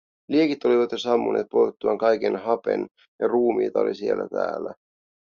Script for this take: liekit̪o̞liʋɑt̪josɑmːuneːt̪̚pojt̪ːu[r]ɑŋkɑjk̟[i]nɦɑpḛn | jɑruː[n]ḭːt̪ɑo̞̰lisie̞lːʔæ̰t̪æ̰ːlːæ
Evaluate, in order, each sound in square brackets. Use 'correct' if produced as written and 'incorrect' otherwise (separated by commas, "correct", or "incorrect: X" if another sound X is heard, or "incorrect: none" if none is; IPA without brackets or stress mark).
incorrect: none, incorrect: e, incorrect: m